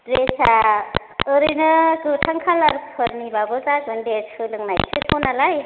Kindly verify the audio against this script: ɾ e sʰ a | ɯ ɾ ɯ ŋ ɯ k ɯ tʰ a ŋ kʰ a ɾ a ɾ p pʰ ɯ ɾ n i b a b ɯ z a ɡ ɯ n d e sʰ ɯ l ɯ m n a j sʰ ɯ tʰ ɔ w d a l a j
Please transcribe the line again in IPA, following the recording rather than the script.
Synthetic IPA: ɾ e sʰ a | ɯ ɾ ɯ n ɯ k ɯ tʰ a ŋ kʰ a l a ɾ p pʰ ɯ ɾ n i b a b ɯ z a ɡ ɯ n d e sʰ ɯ l ɯ ŋ n a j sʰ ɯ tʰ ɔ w n a l a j